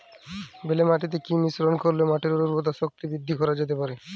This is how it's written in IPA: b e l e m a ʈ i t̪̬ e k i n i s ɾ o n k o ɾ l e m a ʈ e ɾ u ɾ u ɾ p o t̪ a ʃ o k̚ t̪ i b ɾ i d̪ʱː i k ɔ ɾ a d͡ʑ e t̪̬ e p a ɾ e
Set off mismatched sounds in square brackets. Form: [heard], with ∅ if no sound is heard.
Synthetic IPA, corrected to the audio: b e l e m a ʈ i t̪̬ e k i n i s ɾ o n k o ɾ l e m a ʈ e ɾ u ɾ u ɾ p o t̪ a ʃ o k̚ t̪ i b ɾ i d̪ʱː i k ɔ ɾ a d͡ʑ e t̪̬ e p a ɾ e